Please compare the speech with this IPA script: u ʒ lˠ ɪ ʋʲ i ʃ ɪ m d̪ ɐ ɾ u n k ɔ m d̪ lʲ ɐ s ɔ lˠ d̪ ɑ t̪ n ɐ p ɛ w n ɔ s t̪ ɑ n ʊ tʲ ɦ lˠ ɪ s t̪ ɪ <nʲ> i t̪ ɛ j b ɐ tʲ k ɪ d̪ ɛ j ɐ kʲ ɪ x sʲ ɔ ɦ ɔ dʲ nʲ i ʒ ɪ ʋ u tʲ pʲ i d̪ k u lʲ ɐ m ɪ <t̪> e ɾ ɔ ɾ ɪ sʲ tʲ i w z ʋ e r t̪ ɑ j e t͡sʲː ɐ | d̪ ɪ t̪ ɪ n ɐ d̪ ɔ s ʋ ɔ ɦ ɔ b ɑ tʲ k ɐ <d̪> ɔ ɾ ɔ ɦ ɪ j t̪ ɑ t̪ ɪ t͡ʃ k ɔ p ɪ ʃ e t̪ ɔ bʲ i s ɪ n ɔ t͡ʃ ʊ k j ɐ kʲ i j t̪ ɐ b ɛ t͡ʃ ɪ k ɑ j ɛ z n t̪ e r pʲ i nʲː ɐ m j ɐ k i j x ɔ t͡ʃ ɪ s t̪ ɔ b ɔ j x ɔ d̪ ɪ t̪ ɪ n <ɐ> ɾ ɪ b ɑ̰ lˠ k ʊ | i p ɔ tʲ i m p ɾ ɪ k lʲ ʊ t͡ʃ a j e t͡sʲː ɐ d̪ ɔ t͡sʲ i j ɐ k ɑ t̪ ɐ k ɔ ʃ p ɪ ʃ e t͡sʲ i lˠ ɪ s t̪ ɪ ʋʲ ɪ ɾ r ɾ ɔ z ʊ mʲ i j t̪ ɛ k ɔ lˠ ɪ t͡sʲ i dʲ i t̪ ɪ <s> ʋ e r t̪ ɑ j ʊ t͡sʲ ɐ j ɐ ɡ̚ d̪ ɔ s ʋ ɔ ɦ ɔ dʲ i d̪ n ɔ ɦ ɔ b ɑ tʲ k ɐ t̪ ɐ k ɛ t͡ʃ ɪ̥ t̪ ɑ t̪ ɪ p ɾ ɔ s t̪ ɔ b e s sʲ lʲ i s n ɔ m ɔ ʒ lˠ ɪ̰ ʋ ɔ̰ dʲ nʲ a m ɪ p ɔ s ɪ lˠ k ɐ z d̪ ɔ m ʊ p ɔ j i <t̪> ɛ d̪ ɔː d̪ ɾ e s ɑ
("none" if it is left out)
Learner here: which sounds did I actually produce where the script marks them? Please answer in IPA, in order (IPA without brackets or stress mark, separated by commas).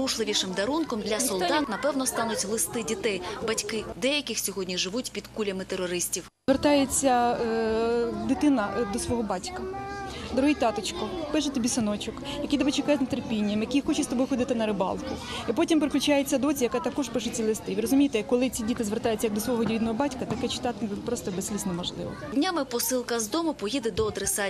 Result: dʲ, t̪, d̪, ɐ, z, d̪